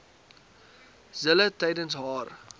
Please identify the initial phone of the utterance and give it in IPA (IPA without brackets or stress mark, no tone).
z